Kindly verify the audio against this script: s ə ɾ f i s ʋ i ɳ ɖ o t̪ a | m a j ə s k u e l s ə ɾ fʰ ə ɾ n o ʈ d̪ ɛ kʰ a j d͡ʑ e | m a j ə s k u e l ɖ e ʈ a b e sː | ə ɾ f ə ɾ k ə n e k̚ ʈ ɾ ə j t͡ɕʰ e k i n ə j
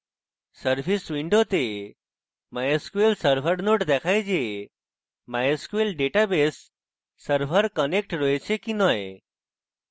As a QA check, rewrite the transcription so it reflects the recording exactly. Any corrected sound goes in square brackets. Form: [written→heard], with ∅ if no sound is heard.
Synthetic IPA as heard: s ə ɾ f i s ʋ i ɳ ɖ o t̪ [a→e] | m a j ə s k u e l s ə ɾ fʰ ə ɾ n o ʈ d̪ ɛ kʰ a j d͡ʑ e | m a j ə s k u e l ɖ e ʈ a b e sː | ə ɾ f ə ɾ k ə n e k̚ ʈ ɾ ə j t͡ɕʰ e k i n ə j